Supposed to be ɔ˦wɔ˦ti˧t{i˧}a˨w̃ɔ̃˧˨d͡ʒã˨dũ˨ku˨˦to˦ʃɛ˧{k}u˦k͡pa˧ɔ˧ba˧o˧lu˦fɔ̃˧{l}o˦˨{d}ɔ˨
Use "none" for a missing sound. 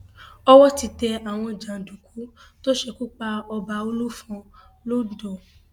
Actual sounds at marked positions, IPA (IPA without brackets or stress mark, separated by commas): ɛ˧, k, l, d